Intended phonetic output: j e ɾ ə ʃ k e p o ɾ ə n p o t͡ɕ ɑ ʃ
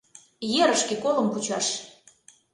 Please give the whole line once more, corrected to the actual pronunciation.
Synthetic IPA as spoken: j e ɾ ə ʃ k e k o l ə m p u t͡ɕ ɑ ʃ